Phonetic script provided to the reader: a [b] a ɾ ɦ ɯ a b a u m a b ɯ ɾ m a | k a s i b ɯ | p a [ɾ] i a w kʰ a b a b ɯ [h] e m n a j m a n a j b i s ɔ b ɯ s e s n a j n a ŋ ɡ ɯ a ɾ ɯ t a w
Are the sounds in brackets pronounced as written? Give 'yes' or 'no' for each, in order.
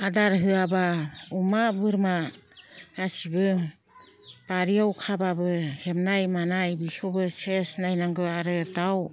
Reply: no, yes, yes

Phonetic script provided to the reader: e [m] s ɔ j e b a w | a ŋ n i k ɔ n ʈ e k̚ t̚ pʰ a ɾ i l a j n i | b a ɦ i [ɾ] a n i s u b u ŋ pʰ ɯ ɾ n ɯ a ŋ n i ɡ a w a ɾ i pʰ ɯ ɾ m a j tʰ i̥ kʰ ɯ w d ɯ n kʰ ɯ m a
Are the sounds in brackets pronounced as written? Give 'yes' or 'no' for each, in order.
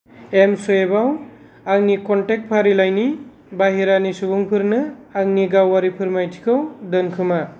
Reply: yes, yes

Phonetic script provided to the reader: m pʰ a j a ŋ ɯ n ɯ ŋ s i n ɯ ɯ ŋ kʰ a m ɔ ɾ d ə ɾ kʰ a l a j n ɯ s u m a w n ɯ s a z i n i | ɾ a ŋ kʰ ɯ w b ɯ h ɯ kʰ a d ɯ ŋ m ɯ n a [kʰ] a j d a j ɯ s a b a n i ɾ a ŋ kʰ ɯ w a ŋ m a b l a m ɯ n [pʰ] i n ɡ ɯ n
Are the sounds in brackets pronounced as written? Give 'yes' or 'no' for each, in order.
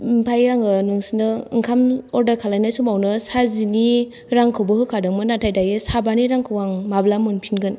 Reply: no, yes

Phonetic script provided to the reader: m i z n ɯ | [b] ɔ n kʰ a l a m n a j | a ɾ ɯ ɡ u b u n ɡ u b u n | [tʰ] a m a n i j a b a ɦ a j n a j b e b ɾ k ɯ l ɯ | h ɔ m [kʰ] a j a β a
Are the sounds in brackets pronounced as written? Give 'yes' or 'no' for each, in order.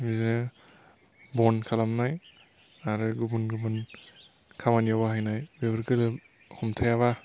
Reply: yes, no, no

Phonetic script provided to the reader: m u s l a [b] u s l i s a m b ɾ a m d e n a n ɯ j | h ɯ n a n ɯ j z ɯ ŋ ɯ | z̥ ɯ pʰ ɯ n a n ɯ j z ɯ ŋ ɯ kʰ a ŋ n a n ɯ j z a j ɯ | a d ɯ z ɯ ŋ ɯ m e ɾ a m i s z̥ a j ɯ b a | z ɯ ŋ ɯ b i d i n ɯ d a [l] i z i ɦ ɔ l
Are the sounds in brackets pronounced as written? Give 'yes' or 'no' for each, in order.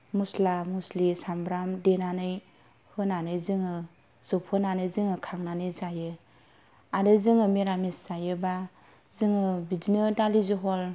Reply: no, yes

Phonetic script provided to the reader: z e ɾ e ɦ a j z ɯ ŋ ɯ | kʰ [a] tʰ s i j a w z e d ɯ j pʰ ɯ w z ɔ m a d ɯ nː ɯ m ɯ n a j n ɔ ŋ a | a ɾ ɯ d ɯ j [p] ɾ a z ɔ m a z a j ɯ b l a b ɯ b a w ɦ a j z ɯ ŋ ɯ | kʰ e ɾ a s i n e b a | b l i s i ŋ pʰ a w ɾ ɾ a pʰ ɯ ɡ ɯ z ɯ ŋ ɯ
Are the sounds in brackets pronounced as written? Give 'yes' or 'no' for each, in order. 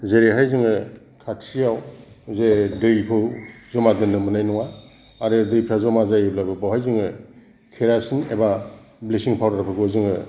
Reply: yes, no

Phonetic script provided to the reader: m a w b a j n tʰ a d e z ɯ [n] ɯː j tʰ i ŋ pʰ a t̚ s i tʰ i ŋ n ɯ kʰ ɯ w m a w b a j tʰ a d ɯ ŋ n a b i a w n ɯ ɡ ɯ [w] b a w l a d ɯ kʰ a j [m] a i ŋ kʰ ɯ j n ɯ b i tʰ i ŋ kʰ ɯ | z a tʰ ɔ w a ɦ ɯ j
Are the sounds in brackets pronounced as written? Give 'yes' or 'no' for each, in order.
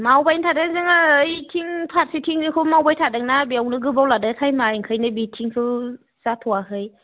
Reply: no, no, yes

